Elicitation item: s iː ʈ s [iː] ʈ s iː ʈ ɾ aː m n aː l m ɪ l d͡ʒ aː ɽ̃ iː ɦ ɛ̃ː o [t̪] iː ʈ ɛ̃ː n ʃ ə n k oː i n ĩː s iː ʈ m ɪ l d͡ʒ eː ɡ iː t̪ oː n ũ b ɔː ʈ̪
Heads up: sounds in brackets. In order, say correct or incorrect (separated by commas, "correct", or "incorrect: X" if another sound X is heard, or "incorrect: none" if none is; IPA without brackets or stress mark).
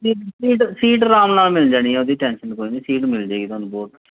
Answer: correct, incorrect: d̪